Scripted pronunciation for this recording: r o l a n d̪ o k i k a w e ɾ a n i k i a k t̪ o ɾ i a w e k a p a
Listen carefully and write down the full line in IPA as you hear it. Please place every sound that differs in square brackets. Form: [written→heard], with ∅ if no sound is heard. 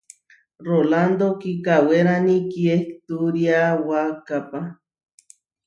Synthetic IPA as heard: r o l a n d̪ o k i k a w e ɾ a n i k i [a→e] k t̪ [o→u] ɾ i a w [e→a] k a p a